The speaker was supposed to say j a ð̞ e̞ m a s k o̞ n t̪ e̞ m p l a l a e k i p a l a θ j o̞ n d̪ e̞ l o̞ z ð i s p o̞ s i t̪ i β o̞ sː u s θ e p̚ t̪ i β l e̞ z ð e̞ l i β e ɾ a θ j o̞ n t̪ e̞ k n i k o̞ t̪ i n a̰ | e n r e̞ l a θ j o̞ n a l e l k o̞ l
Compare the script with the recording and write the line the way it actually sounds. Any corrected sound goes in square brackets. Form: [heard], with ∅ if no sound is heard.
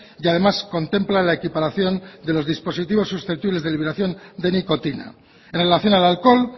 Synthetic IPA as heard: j a ð̞ e̞ m a s k o̞ n t̪ e̞ m p l a l a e k i p a [ɾ] a θ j o̞ n d̪ e̞ l o̞ z ð i s p o̞ s i t̪ i β o̞ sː u s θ e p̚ t̪ i β l e̞ z ð e̞ l i β e ɾ a θ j o̞ n [d̪] e̞ [∅] n i k o̞ t̪ i n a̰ | e n r e̞ l a θ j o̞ n a l [a] l k o̞ l